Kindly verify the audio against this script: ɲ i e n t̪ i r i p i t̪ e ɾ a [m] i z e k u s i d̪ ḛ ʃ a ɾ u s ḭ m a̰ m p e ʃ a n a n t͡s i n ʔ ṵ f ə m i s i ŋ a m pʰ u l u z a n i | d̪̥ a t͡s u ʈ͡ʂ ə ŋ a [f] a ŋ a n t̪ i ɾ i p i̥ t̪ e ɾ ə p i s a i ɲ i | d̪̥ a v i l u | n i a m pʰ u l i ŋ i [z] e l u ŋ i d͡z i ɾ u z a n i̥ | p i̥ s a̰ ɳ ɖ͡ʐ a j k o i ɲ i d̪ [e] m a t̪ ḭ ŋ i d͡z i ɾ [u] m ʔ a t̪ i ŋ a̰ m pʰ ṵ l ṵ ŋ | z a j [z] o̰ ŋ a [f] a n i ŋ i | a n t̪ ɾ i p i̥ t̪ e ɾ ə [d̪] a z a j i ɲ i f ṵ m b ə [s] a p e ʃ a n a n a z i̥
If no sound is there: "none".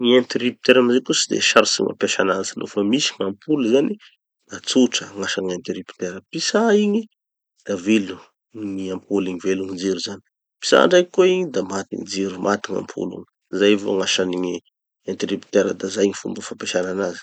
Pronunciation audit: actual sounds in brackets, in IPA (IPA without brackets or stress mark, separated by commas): m, ʃ, v, a, u, v, ʃ, d̪, f